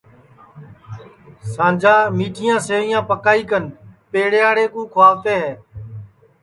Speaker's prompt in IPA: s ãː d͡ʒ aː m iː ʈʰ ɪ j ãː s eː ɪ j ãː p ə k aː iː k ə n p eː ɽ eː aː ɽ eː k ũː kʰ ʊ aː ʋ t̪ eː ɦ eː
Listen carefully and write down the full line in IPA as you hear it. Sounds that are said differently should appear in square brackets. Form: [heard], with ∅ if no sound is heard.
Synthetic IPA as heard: s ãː d͡ʒ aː m iː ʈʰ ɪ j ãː s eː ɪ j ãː p ə k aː iː k ə n p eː ɽ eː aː ɽ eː k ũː kʰ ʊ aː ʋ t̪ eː ɦ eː